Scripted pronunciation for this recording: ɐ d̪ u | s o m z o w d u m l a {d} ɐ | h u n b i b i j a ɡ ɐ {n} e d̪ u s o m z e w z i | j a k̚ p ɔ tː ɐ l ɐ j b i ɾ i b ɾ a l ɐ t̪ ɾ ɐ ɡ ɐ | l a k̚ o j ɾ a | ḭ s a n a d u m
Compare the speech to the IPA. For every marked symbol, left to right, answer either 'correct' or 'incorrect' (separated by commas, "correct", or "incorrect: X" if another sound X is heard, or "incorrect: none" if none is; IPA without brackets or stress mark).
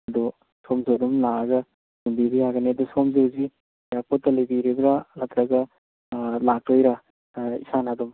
incorrect: ɡ, correct